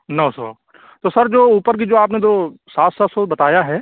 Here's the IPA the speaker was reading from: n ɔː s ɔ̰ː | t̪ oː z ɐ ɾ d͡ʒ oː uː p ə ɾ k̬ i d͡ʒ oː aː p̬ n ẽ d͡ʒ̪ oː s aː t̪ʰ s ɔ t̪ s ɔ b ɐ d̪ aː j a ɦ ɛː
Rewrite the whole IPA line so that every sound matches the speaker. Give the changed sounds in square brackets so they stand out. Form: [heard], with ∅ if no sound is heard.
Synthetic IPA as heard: n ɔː s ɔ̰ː | t̪ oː [s] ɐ ɾ d͡ʒ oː uː p ə ɾ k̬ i d͡ʒ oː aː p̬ n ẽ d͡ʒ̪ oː s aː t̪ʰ s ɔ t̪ s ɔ b ɐ [t̪] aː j a ɦ ɛː

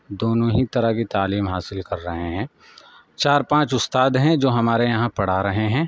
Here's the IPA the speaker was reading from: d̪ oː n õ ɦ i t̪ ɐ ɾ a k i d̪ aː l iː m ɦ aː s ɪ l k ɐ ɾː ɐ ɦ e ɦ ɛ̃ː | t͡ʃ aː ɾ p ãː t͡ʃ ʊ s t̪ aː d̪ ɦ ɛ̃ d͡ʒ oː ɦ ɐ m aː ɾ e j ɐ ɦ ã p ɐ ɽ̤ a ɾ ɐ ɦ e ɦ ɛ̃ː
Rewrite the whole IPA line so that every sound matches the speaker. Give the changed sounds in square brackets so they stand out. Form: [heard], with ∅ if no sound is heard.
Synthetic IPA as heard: d̪ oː n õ ɦ i t̪ ɐ ɾ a k i [t̪] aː l iː m ɦ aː s ɪ l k ɐ ɾː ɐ ɦ e ɦ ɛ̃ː | t͡ʃ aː ɾ p ãː t͡ʃ ʊ s t̪ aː d̪ ɦ ɛ̃ d͡ʒ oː ɦ ɐ m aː ɾ e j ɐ ɦ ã p ɐ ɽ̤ a ɾ ɐ ɦ e ɦ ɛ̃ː

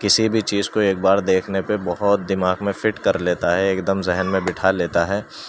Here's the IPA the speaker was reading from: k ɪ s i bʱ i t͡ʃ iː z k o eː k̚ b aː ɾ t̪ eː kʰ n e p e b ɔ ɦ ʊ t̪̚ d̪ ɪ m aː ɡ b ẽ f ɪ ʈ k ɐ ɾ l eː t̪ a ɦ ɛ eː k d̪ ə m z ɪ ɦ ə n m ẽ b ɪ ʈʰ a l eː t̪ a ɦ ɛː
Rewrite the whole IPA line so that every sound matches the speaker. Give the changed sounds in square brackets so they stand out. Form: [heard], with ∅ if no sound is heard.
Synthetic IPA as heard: k ɪ s i bʱ i t͡ʃ iː z k o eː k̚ b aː ɾ [d̪] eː kʰ n e p e b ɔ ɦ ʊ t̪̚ d̪ ɪ m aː ɡ [m] ẽ f ɪ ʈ k ɐ ɾ l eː t̪ a ɦ ɛ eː k d̪ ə m z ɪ ɦ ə n m ẽ b ɪ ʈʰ a l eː t̪ a ɦ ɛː

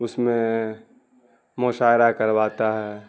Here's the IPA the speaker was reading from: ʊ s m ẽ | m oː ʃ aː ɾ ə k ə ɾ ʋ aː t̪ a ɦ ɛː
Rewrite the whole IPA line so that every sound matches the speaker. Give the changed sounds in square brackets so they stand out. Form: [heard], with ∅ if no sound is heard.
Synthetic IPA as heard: ʊ s m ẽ | m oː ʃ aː ɾ [a] k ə ɾ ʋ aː t̪ a ɦ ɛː

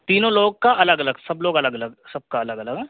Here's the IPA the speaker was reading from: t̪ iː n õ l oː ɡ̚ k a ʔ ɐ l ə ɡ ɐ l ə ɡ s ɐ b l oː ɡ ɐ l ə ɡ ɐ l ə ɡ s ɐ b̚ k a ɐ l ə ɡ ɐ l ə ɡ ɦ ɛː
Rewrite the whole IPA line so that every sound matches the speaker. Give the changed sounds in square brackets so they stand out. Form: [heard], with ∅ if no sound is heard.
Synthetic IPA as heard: t̪ iː n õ l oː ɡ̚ k a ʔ ɐ l ə ɡ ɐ l ə ɡ s ɐ b l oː ɡ ɐ l ə ɡ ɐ l ə ɡ s ɐ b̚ k a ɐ l ə ɡ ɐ l ə ɡ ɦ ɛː

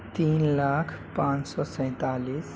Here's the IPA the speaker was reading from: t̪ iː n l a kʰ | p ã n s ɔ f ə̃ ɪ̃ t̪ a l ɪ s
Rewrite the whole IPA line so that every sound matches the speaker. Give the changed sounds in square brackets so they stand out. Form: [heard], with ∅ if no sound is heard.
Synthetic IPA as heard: t̪ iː n l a kʰ | p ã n s ɔ [s] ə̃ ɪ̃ t̪ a l [i] s

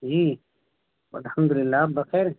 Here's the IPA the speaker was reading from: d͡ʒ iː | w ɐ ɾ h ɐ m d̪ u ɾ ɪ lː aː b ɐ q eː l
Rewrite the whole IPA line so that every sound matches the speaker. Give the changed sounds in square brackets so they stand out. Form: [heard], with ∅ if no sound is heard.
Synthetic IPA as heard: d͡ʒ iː | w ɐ [l] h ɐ m d̪ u [l] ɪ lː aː b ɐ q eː [ɾ]

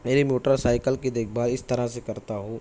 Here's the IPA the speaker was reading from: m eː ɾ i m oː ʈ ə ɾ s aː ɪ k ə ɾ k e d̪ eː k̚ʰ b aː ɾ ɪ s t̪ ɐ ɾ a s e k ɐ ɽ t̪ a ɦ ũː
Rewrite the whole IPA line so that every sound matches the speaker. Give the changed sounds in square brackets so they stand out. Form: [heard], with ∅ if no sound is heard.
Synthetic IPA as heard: m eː ɾ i m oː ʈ ə ɾ s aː ɪ k ə [l] k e d̪ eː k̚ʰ b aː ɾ ɪ s t̪ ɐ ɾ a s e k ɐ [ɾ] t̪ a ɦ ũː

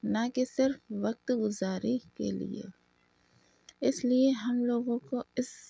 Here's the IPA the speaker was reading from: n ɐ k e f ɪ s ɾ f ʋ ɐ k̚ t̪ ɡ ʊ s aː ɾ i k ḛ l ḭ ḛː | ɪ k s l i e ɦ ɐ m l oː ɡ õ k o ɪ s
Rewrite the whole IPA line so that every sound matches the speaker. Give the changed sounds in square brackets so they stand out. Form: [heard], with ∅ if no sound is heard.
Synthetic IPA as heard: n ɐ k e [s] ɪ [∅] ɾ f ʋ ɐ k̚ t̪ ɡ ʊ [z] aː ɾ i k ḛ l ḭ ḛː | ɪ [∅] s l i e ɦ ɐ m l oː ɡ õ k o ɪ s

